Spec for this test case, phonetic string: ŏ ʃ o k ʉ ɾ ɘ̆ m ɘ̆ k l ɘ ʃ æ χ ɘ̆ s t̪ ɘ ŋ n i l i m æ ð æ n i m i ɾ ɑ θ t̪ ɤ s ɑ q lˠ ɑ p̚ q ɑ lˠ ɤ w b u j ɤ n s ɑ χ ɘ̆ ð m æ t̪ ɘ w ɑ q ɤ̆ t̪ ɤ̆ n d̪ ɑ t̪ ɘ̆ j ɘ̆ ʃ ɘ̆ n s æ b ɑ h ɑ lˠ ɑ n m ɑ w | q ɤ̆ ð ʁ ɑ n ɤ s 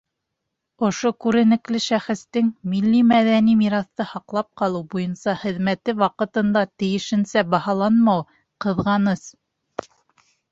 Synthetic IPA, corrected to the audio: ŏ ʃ o k ʉ ɾ ɘ̆ n ɘ̆ k l ɘ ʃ æ χ ɘ̆ s t̪ ɘ ŋ m i lː i m æ ð æ n i m i ɾ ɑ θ t̪ ɤ h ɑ q lˠ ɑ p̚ q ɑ lˠ ɤ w b u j ɤ n s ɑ χ ɘ̆ ð m æ t̪ ɘ w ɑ q ɤ̆ t̪ ɤ̆ n d̪ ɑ t̪ ɘ̆ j ɘ̆ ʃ ɘ̆ n s æ b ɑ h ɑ lˠ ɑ n m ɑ w | q ɤ̆ ð ʁ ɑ n ɤ s